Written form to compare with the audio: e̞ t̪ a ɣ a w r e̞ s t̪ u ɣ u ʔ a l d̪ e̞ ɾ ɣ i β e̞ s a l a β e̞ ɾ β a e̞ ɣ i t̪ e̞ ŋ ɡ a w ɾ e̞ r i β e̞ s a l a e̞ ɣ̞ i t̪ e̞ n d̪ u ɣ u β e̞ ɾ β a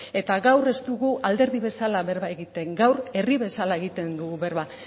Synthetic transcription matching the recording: e̞ t̪ a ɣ a w r e̞ s t̪ u ɣ u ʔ a l d̪ e̞ ɾ ð i β e̞ s a l a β e̞ ɾ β a e̞ ɣ i t̪ e̞ ŋ ɡ a w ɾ e̞ r i β e̞ s a l a e̞ ɣ̞ i t̪ e̞ n d̪ u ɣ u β e̞ ɾ β a